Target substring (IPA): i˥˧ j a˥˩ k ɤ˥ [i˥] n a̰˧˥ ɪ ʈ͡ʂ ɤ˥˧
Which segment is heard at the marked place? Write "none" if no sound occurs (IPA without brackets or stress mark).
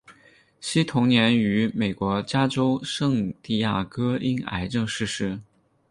i˥